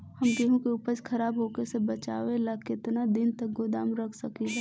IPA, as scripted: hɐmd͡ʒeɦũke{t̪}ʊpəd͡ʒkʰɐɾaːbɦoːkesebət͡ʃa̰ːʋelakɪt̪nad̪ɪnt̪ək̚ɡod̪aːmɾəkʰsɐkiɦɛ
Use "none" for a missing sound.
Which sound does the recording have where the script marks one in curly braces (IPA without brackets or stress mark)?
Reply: none